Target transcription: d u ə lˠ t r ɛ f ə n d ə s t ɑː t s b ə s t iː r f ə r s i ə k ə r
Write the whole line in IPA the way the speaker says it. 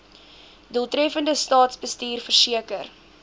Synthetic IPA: d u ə lˠ t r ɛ f ə n d ə s t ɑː t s b ə s t iː r f ə r s i ə k ə r